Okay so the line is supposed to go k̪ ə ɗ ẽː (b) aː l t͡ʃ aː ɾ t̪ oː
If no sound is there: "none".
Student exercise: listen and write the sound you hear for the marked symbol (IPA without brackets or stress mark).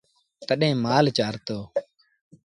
m